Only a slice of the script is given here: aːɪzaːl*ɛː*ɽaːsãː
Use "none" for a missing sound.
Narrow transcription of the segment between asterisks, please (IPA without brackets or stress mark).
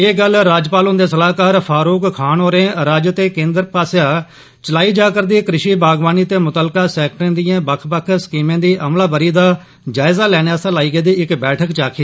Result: ɛː